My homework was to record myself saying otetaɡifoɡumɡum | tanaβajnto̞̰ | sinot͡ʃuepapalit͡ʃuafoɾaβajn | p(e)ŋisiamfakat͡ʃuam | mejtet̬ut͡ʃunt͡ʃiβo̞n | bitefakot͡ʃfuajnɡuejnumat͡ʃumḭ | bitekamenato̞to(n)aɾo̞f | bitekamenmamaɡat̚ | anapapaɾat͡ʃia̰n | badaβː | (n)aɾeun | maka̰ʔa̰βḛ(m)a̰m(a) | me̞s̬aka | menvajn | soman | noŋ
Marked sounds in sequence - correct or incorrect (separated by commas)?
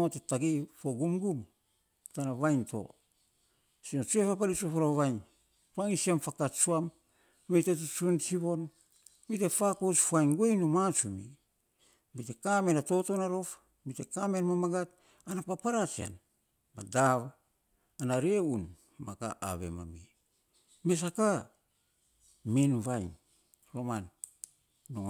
incorrect, correct, correct, correct, incorrect